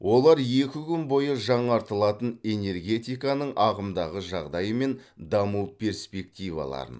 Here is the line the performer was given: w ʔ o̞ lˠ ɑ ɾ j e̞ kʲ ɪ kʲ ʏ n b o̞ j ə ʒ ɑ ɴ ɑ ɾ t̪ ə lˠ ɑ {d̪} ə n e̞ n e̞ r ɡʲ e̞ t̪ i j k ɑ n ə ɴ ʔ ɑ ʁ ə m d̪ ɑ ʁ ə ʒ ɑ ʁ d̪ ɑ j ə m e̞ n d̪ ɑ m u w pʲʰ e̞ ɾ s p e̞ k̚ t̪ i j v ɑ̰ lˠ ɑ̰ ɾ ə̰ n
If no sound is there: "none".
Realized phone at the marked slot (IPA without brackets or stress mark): t̪